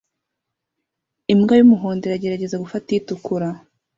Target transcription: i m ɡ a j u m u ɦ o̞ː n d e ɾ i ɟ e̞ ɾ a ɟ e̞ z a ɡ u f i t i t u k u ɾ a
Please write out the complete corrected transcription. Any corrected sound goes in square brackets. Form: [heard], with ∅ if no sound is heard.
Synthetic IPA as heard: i m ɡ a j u m u ɦ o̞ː n d e ɾ [a] ɟ e̞ ɾ a ɟ e̞ z a ɡ u f [a] t i t u k u ɾ a

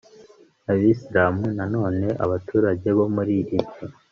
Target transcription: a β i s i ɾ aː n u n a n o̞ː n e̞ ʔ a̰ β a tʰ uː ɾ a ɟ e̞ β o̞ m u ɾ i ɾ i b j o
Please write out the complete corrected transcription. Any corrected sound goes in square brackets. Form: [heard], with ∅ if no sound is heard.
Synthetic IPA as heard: a β i s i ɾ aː [m] u n a n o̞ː n e̞ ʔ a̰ β a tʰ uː ɾ a ɟ e̞ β o̞ m u ɾ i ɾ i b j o

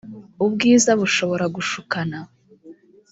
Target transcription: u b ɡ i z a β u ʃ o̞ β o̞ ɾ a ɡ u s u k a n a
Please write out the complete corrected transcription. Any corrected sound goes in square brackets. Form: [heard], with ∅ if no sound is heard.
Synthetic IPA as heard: u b ɡ [iː] z a β u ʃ o̞ β o̞ ɾ a ɡ u [ʃ] u k a n a

